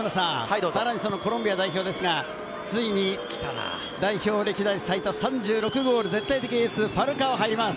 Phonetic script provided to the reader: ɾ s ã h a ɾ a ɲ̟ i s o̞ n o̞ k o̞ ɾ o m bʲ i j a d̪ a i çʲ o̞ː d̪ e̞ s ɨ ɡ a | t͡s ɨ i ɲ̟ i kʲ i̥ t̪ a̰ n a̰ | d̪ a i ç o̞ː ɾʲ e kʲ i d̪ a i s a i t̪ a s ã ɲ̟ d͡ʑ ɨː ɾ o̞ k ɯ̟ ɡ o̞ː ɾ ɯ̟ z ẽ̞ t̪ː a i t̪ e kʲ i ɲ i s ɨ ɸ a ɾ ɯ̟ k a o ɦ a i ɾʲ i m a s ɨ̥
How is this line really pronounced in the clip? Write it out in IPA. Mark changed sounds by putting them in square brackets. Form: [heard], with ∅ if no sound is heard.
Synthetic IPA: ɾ s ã [s] a ɾ a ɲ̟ i s o̞ n o̞ k o̞ ɾ o m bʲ i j a d̪ a i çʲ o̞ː d̪ e̞ s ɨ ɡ a | t͡s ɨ i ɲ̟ i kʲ i̥ t̪ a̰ n a̰ | d̪ a i ç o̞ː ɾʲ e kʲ i d̪ a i s a i t̪ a s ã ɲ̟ d͡ʑ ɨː ɾ o̞ k ɯ̟ ɡ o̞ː ɾ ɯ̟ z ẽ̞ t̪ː a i t̪ e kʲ i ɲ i s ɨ ɸ a ɾ ɯ̟ k a o ɦ a i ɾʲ i m a s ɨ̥